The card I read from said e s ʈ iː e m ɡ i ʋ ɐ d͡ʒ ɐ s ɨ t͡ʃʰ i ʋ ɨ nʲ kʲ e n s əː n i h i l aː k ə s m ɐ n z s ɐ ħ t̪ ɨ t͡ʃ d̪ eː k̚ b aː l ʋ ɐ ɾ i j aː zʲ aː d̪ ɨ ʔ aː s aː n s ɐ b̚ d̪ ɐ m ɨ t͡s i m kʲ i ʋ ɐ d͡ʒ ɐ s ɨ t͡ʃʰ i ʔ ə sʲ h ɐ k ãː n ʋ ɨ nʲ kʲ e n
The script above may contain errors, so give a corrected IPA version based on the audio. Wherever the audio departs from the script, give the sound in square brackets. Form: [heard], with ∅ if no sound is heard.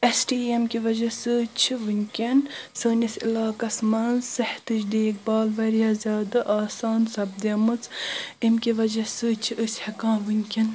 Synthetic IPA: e s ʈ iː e m [k] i ʋ ɐ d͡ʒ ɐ s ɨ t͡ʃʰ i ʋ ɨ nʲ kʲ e n s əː n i [s] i l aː k [ɐ] s m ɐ n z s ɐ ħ t̪ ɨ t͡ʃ d̪ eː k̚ b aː l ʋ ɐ ɾ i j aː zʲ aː d̪ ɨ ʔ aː s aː n s ɐ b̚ d̪ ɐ m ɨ t͡s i m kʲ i ʋ ɐ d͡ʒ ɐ s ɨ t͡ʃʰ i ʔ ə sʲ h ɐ k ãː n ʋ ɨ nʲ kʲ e n

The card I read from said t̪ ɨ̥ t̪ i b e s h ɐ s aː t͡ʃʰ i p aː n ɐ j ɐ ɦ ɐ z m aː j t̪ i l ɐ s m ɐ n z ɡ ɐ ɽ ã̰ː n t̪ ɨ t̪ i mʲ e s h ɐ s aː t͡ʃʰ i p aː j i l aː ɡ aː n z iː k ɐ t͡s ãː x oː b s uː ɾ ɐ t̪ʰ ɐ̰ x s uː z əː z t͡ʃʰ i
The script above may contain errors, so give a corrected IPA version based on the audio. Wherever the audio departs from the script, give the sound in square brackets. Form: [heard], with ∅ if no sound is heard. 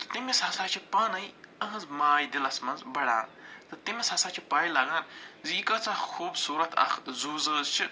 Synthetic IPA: t̪ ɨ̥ t̪ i [m] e s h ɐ s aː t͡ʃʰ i p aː n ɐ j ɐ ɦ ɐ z m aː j [d̪] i l ɐ s m ɐ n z [b] ɐ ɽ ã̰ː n t̪ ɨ t̪ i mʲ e s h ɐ s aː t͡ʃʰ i p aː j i l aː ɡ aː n z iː k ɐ t͡s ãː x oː b s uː ɾ ɐ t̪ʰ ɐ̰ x [z] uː z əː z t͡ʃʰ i

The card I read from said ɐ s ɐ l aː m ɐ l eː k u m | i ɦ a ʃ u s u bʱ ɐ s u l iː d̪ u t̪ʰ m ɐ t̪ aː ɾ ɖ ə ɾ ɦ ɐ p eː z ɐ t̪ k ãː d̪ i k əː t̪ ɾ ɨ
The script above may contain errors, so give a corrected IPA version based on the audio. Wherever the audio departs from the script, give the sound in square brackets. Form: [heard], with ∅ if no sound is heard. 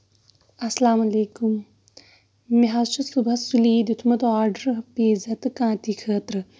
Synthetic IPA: ɐ s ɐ l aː m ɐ l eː k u m | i ɦ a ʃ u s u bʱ ɐ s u l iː d̪ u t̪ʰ m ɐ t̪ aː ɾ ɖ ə ɾ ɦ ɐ p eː z ɐ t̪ k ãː [t̪] i [kʰ] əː t̪ ɾ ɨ

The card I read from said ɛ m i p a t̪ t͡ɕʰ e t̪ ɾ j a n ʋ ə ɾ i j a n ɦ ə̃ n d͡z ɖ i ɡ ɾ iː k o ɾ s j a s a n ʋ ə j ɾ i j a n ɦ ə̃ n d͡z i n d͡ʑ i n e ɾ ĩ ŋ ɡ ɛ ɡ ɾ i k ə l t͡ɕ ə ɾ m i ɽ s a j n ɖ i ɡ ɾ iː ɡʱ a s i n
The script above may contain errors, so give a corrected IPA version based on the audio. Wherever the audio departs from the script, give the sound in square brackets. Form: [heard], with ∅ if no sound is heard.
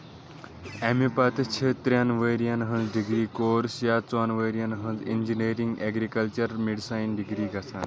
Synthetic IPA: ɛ m i p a t̪ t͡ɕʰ e t̪ ɾ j a n ʋ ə ɾ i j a n ɦ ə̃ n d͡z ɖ i ɡ ɾ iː k o ɾ s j a [t͡s] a n ʋ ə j ɾ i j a n ɦ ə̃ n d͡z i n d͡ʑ i n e ɾ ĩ ŋ ɡ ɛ ɡ ɾ i k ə l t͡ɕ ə ɾ m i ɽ s a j n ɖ i ɡ ɾ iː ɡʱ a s [a] n

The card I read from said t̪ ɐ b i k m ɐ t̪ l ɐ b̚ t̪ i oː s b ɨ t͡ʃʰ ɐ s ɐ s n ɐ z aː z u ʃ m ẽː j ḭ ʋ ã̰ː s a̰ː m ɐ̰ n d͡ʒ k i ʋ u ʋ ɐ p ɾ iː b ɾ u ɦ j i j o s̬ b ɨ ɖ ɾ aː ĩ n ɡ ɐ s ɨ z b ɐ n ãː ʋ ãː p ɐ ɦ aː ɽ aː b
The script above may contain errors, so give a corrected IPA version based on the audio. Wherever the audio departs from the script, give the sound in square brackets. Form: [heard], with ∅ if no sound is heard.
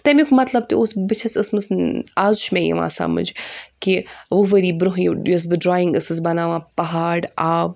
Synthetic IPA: t̪ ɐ [m] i k m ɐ t̪ l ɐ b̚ t̪ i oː s b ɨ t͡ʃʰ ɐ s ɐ s [m] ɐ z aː z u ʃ m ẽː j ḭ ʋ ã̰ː s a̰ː m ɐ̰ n d͡ʒ k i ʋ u ʋ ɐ [∅] ɾ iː b ɾ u ɦ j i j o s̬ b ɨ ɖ ɾ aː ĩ [ŋ] ɡ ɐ s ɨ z b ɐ n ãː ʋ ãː p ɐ ɦ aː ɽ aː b

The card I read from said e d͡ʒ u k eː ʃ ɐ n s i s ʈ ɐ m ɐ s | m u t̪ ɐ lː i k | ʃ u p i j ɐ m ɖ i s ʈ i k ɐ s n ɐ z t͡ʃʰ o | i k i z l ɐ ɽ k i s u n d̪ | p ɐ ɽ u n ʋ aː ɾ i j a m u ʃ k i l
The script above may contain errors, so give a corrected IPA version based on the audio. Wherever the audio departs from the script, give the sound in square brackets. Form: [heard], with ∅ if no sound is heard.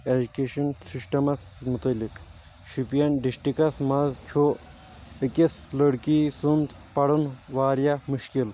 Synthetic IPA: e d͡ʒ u k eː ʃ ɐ n s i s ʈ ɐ m ɐ s | m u t̪ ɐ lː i k | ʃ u p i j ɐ [n] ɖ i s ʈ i k ɐ s [m] ɐ z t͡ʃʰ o | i k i [s] l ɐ ɽ k i s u n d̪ | p ɐ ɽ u n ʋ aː ɾ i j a m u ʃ k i l

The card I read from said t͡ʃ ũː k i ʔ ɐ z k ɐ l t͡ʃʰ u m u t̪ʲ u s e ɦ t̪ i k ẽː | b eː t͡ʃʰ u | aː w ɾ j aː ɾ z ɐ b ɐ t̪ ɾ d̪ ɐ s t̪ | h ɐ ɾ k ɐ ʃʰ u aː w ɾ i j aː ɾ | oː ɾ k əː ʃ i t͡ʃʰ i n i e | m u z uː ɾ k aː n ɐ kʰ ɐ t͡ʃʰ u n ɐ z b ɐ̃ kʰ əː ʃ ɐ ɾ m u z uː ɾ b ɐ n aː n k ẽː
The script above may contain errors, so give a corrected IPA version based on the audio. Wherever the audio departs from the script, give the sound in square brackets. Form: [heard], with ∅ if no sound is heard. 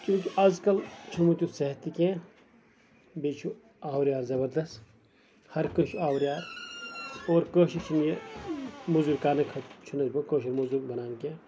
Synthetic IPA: t͡ʃ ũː k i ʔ ɐ z k ɐ l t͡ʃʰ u m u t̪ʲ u s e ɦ t̪ i k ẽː | b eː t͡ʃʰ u | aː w ɾ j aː ɾ z ɐ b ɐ [∅] ɾ d̪ ɐ s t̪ | h ɐ ɾ k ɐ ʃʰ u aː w ɾ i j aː ɾ | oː ɾ k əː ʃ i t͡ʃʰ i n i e | m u z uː ɾ k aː n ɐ kʰ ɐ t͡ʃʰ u n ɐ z b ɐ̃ [k] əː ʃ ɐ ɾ m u z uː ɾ b ɐ n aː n k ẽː

